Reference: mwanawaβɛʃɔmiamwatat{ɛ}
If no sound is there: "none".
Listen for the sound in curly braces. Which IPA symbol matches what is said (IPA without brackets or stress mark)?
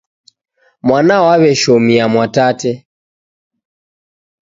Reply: ɛ